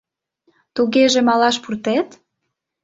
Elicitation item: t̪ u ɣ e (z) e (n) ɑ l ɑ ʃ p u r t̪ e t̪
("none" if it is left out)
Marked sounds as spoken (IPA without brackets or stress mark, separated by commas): ʒ, m